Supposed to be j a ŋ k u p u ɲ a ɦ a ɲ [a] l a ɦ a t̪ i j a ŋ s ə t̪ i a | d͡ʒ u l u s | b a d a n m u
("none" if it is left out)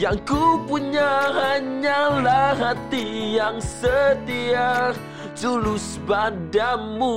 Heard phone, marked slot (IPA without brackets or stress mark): a